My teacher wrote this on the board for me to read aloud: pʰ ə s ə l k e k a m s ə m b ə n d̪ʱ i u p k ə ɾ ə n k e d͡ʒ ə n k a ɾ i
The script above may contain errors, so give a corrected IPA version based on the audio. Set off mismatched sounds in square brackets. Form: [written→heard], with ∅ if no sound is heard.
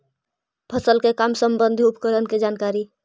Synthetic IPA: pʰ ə s ə l k e k a m s ə m b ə n d̪ʱ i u p k ə ɾ ə n k e d͡ʒ [ə→a] n k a ɾ i